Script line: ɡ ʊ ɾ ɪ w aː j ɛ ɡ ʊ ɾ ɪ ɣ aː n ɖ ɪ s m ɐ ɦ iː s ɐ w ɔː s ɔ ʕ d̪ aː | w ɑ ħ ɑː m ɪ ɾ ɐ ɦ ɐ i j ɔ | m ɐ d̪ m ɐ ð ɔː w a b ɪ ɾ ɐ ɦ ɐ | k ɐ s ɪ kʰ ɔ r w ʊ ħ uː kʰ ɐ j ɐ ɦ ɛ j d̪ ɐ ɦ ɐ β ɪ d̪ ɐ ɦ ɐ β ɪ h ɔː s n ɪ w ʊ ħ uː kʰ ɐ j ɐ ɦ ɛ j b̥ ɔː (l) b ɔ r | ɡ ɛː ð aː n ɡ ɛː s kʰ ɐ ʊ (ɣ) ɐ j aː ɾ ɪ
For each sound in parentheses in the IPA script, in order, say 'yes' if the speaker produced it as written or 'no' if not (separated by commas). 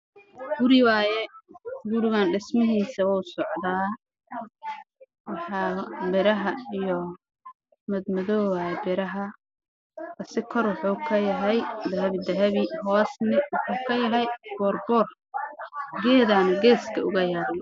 no, yes